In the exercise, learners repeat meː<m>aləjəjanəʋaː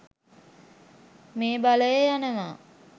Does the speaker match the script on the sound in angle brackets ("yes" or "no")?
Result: no